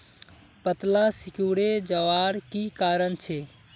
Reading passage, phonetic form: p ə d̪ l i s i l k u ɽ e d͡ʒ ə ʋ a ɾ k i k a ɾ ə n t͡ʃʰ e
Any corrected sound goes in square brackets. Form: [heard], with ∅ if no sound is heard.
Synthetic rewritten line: p ə [t̪] l [a] s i [∅] k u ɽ e d͡ʒ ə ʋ a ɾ k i k a ɾ ə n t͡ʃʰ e